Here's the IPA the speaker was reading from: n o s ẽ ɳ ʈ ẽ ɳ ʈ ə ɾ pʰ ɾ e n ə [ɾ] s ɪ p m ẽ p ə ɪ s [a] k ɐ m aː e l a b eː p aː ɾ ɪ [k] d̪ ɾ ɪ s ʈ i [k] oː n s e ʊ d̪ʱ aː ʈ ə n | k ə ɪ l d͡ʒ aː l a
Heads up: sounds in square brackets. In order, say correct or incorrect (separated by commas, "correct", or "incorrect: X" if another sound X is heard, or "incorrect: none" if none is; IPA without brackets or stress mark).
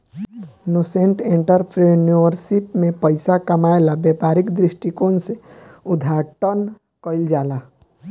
correct, correct, correct, correct